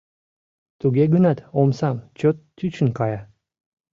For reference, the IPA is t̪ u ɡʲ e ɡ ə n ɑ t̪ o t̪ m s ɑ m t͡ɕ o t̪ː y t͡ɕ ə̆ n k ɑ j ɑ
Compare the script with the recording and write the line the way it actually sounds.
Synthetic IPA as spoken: t̪ u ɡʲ e ɡ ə n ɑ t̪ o m s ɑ m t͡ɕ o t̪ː y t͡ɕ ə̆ n k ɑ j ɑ